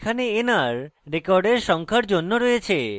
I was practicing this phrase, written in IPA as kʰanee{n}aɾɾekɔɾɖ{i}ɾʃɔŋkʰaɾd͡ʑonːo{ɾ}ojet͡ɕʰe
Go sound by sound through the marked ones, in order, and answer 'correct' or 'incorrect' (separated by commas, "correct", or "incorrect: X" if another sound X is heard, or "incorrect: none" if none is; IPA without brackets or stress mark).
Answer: correct, incorrect: e, correct